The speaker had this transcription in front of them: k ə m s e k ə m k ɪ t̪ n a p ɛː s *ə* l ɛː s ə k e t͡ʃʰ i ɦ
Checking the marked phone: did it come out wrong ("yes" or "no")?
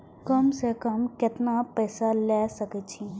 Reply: yes